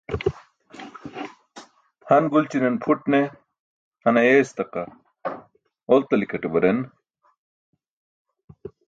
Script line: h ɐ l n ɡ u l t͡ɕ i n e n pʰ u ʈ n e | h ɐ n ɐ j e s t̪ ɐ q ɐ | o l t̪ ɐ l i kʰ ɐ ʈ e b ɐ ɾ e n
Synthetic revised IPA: h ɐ n ɡ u l t͡ɕ i n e n pʰ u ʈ n e | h ɐ n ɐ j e s t̪ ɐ q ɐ | o l t̪ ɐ l i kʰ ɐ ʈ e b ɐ ɾ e n